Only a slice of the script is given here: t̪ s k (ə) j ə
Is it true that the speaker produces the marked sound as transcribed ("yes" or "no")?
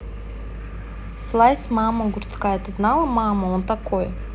no